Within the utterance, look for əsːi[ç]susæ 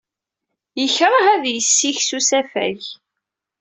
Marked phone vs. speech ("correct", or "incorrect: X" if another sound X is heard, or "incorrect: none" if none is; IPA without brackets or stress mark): correct